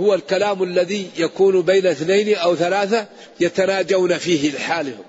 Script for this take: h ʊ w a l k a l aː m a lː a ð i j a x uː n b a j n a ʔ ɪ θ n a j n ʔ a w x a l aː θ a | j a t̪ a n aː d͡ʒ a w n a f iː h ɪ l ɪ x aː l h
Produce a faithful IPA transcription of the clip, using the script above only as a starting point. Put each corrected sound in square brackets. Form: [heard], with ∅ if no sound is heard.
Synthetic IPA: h ʊ w a l k a l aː m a lː a ð i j a [k] uː n b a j n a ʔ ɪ θ n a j n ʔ a w [θ] a l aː θ a | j a t̪ a n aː d͡ʒ a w n a f iː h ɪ l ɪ [ħ] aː l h